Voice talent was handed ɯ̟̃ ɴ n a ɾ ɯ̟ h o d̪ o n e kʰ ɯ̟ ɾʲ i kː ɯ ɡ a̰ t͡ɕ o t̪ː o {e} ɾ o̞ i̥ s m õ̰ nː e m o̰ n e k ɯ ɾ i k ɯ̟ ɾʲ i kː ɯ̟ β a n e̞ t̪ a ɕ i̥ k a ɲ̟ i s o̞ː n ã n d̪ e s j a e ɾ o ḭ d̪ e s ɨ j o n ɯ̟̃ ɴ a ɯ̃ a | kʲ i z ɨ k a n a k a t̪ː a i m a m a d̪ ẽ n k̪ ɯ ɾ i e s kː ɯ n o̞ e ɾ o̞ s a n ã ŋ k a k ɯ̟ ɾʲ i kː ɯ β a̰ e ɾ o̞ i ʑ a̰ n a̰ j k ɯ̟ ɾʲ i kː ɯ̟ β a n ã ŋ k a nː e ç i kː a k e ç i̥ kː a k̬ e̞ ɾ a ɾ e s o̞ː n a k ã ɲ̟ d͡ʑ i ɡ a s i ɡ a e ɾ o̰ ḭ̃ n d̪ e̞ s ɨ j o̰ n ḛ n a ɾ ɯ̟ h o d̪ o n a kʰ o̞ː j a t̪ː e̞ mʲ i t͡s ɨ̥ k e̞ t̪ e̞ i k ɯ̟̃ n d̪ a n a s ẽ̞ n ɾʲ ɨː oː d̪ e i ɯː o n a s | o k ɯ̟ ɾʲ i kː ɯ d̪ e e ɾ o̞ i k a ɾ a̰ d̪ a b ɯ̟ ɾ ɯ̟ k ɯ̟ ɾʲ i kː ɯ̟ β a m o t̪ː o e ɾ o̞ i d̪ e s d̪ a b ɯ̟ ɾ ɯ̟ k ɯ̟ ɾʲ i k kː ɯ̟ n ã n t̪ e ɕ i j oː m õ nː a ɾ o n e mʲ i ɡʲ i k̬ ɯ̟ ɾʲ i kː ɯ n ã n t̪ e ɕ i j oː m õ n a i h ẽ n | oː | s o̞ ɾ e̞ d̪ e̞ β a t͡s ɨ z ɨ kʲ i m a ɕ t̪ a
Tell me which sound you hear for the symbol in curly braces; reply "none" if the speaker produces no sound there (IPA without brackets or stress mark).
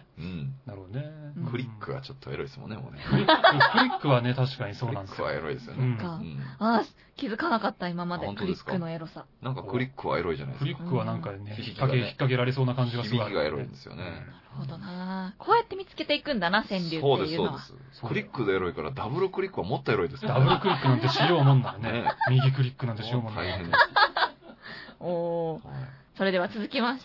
e